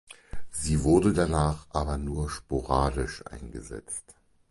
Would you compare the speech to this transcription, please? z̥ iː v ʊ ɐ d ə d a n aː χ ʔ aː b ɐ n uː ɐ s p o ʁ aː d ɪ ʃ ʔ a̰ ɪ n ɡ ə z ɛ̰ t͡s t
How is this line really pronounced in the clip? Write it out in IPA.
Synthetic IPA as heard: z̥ iː v ʊ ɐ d ə d a n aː χ ʔ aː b ɐ n uː ɐ ʃ p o ʁ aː d ɪ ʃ ʔ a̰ ɪ n ɡ ə z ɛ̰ t͡s t